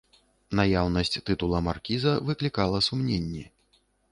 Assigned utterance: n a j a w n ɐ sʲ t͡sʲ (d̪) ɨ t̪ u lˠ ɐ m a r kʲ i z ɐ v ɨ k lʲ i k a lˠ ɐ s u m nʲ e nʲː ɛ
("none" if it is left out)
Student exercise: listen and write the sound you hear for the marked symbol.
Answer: t̪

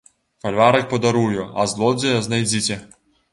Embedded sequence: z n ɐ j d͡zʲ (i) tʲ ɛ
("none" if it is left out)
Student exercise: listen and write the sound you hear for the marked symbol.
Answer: i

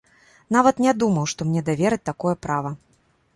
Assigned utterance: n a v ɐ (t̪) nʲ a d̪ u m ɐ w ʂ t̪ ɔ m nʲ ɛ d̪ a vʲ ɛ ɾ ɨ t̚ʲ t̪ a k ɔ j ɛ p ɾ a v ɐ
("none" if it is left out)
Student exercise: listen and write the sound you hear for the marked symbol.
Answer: t̪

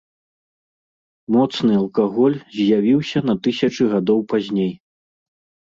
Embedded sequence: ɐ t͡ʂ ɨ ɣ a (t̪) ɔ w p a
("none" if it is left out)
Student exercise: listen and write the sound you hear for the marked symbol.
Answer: d̪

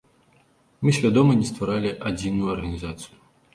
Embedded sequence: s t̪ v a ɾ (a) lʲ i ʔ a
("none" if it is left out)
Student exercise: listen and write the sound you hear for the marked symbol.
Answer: a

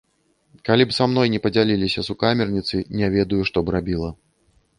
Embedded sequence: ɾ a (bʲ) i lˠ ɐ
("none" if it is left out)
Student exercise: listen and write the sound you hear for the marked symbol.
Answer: bʲ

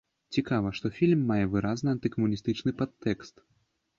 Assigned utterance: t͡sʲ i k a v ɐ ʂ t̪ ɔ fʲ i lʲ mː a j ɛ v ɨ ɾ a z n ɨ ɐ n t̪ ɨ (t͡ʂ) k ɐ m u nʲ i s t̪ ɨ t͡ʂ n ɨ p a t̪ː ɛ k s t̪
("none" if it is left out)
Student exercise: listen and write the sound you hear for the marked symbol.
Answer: none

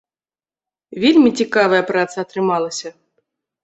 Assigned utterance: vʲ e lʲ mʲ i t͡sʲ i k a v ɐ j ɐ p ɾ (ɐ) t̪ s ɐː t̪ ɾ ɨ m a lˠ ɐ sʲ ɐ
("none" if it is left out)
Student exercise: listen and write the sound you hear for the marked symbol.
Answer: a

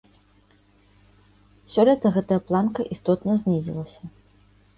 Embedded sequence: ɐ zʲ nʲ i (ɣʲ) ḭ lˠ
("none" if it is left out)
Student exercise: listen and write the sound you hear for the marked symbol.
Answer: zʲ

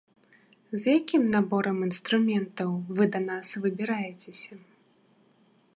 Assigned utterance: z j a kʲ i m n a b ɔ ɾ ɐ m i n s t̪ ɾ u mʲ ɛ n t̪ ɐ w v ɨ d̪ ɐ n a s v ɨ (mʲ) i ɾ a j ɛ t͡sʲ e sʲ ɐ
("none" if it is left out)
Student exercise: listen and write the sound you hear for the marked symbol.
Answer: bʲ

